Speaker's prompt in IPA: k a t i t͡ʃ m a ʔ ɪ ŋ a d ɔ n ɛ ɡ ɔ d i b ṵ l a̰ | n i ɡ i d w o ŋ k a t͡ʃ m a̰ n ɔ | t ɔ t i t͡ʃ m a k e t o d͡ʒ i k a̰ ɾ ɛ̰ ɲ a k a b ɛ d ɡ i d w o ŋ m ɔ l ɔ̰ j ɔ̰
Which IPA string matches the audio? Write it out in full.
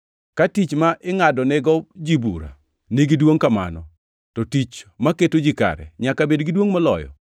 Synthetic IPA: k a t i t͡ʃ m a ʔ ɪ ŋ a d ɔ n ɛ ɡ ɔ d͡ʒ i b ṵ ɾ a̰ | n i ɡ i d w o ŋ k a m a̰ n ɔ | t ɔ t i t͡ʃ m a k e t o d͡ʒ i k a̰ ɾ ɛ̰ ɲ a k a b e d ɡ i d w o ŋ m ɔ l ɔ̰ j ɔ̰